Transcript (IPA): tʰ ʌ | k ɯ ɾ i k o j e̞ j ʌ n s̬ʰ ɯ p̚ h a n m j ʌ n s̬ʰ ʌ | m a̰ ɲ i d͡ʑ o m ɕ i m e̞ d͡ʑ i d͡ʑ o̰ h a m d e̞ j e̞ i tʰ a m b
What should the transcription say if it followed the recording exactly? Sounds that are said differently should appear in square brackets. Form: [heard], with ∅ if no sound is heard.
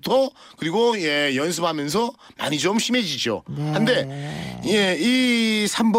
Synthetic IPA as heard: tʰ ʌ | k ɯ ɾ i [ɡ] o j e̞ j ʌ n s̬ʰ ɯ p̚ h a [∅] m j ʌ n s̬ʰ ʌ | m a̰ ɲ i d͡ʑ o m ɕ i m e̞ d͡ʑ i d͡ʑ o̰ h a [n] d e̞ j e̞ i [sʰ] a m b